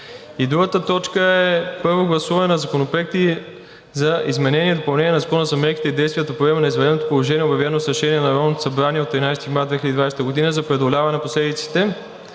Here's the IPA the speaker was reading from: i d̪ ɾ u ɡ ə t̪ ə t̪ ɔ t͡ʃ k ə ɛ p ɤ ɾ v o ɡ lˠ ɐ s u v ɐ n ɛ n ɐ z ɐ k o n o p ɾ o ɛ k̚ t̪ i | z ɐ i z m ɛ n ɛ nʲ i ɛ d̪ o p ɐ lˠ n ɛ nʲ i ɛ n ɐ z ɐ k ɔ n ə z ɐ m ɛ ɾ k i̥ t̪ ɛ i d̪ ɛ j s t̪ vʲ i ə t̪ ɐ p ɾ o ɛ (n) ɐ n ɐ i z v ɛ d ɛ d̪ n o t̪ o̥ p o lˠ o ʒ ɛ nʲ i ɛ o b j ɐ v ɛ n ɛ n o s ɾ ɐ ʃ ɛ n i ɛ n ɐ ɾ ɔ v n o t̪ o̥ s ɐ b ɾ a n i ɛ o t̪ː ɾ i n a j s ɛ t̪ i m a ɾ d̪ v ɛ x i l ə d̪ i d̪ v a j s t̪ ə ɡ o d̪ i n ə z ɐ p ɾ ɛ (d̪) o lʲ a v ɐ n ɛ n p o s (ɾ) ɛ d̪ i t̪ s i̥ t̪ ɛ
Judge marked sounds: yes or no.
no, yes, no

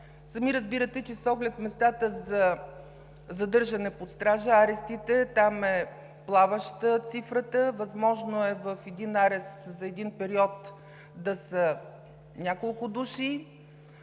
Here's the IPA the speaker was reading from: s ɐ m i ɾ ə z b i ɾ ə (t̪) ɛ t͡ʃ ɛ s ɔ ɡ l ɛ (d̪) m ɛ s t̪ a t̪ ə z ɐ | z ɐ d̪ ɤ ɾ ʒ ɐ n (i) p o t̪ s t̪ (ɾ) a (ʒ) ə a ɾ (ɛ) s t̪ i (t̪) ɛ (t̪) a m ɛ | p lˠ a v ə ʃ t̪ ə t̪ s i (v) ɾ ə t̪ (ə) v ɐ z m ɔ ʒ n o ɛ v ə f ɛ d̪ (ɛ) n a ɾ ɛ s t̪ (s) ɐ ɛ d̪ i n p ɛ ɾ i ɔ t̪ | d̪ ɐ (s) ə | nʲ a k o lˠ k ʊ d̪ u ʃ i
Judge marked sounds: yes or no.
yes, no, no, yes, yes, yes, yes, yes, no, yes, no, no, yes

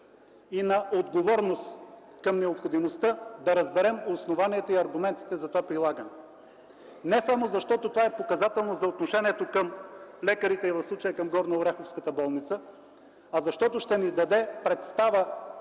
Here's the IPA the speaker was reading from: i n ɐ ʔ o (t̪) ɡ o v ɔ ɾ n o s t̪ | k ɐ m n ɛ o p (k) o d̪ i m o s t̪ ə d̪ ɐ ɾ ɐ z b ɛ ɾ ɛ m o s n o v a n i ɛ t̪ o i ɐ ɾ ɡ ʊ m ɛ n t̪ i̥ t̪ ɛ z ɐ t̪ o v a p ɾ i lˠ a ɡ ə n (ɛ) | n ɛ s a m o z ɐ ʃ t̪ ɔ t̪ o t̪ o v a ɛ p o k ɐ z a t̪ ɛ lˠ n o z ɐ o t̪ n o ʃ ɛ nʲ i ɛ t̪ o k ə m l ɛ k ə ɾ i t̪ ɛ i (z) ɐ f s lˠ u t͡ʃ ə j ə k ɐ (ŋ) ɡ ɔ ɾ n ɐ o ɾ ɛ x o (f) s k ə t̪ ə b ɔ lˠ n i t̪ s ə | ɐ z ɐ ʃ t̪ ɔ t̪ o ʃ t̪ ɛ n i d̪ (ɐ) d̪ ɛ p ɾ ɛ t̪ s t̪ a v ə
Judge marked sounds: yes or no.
no, no, yes, no, no, yes, yes

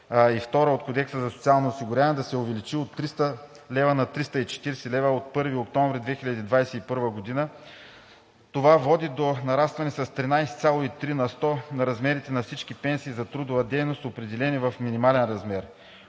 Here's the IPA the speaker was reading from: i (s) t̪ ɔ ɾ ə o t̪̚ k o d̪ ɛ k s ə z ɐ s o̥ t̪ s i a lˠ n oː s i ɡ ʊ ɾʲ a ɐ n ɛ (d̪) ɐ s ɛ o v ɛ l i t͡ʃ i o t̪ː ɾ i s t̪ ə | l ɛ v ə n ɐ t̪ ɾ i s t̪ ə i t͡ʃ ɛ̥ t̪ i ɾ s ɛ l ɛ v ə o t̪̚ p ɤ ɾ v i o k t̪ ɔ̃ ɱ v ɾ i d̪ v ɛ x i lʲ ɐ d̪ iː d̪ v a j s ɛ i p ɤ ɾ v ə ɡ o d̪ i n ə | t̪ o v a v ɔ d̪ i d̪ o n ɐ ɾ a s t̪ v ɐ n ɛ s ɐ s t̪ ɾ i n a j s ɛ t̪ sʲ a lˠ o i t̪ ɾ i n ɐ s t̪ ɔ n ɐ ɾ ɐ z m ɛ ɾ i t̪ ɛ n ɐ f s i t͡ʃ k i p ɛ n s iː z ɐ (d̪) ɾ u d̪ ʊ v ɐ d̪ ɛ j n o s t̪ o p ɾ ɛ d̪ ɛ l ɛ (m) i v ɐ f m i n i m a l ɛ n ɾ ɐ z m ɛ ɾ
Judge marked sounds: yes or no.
no, yes, no, no

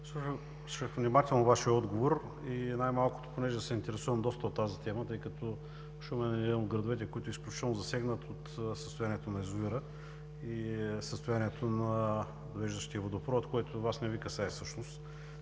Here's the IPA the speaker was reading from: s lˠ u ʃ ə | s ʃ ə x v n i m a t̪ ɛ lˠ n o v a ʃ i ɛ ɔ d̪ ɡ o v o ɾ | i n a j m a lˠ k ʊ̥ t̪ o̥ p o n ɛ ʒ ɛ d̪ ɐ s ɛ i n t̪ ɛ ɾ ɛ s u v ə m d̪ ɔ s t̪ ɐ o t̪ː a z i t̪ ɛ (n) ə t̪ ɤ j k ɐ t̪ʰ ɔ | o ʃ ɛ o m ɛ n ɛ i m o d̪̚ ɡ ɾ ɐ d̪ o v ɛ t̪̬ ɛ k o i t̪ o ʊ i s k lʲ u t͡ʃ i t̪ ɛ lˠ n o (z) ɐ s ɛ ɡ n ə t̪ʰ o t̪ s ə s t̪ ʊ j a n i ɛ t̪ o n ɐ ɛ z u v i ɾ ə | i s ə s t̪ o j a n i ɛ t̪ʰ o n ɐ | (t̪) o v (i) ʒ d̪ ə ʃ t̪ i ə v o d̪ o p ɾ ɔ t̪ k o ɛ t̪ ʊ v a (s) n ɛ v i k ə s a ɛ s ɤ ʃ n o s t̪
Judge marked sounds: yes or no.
no, yes, no, no, yes

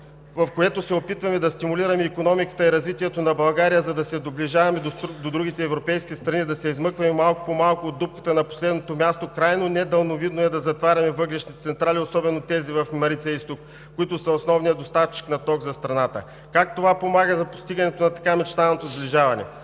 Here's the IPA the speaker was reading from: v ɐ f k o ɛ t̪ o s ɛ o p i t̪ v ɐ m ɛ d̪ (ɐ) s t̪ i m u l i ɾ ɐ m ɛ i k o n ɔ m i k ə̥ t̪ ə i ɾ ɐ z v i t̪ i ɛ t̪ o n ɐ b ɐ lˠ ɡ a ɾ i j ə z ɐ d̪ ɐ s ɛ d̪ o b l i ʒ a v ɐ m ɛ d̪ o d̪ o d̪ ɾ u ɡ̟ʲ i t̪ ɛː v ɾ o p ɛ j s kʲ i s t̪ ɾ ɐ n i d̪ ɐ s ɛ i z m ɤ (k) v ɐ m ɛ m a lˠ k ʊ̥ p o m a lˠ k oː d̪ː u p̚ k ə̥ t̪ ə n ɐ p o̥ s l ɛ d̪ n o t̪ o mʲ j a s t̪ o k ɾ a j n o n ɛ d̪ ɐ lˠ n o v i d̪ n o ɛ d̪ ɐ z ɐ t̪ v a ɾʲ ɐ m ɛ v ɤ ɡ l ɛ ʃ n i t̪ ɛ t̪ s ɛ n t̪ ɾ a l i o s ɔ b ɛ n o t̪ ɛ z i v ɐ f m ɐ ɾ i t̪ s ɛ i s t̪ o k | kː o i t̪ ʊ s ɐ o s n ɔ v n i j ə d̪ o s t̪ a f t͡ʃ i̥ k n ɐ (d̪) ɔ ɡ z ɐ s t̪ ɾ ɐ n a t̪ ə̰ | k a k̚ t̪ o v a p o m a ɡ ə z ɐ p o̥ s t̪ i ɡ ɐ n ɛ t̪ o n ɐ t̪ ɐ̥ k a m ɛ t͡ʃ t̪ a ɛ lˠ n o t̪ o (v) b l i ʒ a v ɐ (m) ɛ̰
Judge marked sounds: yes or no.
yes, yes, no, no, no

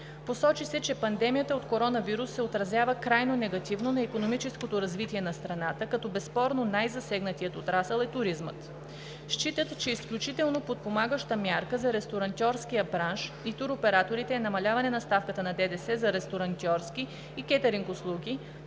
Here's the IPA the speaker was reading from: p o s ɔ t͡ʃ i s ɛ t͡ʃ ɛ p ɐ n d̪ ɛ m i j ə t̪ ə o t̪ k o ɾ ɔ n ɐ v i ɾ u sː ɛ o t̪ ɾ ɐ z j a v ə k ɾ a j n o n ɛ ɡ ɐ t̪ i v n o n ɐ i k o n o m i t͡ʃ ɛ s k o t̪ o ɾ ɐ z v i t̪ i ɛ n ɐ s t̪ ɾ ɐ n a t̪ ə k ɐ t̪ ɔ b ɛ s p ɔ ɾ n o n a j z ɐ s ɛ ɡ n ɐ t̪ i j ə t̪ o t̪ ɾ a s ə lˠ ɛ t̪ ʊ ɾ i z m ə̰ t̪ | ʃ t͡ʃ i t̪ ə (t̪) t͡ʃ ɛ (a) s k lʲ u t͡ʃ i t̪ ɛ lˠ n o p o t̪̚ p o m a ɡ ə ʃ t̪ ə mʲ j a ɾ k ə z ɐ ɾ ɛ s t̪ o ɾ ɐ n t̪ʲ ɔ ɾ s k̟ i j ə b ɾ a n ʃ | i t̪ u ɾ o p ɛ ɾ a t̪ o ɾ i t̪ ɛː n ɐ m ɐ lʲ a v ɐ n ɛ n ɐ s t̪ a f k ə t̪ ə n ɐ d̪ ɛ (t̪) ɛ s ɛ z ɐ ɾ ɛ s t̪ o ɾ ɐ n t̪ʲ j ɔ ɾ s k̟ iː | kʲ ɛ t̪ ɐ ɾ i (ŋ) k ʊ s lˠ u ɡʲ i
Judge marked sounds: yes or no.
yes, no, no, yes

